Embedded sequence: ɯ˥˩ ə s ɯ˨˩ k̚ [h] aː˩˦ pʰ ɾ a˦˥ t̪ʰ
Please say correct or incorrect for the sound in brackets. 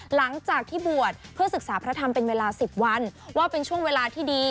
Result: incorrect